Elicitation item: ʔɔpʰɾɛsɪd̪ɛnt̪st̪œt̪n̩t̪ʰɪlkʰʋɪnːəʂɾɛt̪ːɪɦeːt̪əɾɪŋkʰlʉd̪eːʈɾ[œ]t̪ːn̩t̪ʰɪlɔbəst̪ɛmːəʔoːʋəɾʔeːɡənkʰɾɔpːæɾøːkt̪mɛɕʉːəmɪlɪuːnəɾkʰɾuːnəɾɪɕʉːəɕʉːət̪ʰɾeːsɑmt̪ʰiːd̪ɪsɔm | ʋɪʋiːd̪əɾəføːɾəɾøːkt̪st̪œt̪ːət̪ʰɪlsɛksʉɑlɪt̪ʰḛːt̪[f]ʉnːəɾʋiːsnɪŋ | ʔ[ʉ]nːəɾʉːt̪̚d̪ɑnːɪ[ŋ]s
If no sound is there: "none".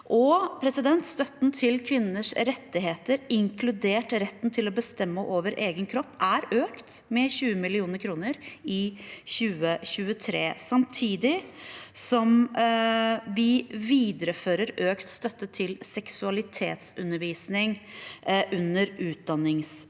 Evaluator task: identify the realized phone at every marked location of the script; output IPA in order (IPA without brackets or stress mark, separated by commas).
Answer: ɛ, s, ʉ, ŋ